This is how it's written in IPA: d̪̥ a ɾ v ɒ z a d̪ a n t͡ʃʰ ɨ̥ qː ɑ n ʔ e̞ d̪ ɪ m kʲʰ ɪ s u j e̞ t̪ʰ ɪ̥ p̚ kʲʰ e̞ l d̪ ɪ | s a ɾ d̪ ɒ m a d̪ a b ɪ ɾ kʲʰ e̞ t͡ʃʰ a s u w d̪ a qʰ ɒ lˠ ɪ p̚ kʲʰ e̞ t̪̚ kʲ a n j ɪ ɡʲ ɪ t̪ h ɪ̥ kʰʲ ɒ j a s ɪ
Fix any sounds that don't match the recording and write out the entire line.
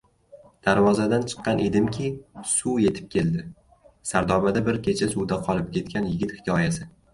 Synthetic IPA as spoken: d̪̥ a ɾ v ɒ z a d̪ a n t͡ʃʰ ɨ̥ qː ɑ n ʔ e̞ d̪ ɪ m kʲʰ ɪ s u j e̞ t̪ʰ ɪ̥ p̚ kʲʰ e̞ l d̪ ɪ | s a ɾ d̪ ɒ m a d̪ a b ɪ ɾ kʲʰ e̞ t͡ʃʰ a s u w d̪ a qʰ ɒ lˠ ɪ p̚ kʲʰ e̞ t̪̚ kʲ a n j ɪ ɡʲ ɪ t̪ h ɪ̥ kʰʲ ɒ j a s ɪ

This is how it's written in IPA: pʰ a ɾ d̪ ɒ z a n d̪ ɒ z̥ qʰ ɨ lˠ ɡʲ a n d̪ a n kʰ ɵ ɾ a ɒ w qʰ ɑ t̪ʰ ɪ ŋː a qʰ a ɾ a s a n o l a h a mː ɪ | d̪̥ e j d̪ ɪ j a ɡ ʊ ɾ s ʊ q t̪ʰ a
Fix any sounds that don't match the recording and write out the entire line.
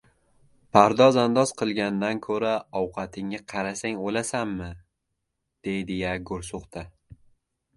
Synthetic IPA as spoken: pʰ a ɾ d̪ ɒ z a n d̪ ɒ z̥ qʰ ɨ lˠ ɡʲ a n d̪ a n kʰ ɵ ɾ a ɒ w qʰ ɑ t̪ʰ ɪ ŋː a qʰ ɑ ɾ a s a ŋ o l a s a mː ɪ | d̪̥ e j d̪ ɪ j a ɡ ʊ ɾ s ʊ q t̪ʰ a

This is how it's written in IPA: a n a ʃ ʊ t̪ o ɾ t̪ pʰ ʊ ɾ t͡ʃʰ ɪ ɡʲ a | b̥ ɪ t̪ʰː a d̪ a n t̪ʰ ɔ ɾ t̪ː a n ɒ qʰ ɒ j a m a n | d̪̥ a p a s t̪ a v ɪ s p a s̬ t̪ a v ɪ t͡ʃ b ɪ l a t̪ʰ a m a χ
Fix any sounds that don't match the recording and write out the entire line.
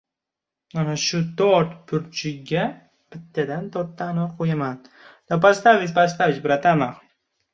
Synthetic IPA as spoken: a n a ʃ ʊ t̪ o ɾ t̪ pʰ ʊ ɾ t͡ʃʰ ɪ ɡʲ a | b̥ ɪ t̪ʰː a d̪ a n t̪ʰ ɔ ɾ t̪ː a n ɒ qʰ o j a m a n | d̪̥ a p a s t̪ a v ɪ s p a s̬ t̪ a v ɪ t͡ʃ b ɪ ɾ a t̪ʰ a m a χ

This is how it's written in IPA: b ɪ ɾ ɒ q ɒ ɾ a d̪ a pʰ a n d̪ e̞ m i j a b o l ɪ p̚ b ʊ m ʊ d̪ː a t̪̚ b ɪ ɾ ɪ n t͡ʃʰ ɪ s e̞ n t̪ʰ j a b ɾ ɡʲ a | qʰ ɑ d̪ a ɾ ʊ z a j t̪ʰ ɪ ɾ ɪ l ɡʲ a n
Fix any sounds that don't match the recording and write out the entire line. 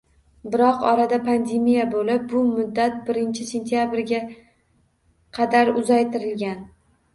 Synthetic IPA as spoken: b ɪ ɾ ɒ q ɒ ɾ a d̪ a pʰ a n d̪ e̞ m i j a b o l ɪ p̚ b ʊ m ʊ d̪ː a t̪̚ b ɪ ɾ ɪ n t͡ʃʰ ɪ s e̞ n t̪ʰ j a b ɾ ɡʲ a | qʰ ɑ d̪ a ɾ ʊ z a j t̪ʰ ɪ ɾ ɪ l ɡʲ a n

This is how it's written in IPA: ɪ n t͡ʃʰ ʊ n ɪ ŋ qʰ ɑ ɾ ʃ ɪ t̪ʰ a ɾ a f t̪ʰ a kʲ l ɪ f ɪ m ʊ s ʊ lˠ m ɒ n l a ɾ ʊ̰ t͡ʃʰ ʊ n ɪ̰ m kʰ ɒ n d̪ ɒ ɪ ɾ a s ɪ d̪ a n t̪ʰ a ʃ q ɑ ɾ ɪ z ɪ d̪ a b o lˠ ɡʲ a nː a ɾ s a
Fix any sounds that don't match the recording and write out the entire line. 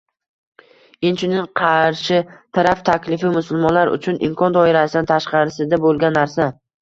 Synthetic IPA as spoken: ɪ n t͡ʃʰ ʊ n ɪ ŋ qʰ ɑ ɾ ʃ ɪ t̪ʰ a ɾ a f t̪ʰ a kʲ l ɪ f ɪ m ʊ s ʊ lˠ m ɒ n l a ɾ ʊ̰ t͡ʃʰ ʊ n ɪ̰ m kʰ ɒ n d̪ ɒ ɪ ɾ a s ɪ d̪ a n t̪ʰ a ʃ q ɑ ɾ ɪ s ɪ d̪ a b o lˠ ɡʲ a nː a ɾ s a

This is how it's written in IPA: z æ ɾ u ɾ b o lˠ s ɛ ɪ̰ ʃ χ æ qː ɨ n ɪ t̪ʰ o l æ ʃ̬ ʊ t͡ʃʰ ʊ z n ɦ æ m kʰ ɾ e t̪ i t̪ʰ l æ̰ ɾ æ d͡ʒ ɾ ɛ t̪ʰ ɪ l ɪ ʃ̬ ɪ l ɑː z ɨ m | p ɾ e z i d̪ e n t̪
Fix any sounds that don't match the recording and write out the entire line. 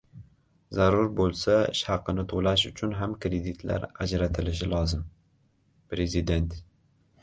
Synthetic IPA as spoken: z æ ɾ u ɾ b o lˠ s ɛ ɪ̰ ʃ h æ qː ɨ n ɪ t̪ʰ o l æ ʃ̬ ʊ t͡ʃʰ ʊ n ɦ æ m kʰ ɾ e d̪ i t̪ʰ l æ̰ ɾ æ d͡ʒ ɾ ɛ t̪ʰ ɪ l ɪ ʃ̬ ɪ l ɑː z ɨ m | p ɾ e z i d̪ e n t̪

